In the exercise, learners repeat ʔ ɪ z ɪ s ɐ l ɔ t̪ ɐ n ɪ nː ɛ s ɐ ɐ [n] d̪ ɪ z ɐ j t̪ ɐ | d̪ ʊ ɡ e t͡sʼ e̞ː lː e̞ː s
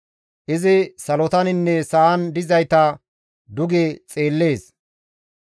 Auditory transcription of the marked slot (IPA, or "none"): n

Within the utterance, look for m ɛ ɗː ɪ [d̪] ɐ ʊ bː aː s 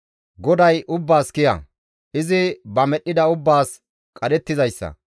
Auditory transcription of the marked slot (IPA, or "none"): d̪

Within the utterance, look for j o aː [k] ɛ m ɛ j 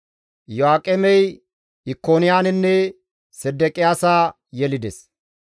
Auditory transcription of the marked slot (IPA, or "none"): kʼ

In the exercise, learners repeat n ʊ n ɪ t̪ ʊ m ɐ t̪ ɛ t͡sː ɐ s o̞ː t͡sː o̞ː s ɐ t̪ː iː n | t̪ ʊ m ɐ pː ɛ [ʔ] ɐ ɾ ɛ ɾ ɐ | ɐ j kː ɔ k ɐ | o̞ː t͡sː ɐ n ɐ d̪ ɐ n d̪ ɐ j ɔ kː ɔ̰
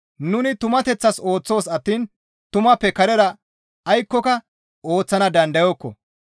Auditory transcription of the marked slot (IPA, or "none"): k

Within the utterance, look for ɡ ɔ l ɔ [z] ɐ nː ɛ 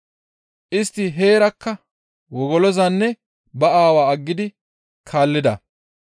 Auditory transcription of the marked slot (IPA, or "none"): z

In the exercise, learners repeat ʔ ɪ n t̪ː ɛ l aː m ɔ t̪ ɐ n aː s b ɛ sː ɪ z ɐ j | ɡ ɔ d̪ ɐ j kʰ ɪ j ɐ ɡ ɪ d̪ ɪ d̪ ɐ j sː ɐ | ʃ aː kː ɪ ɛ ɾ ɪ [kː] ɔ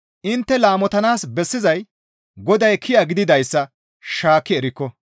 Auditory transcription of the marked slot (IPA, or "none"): kː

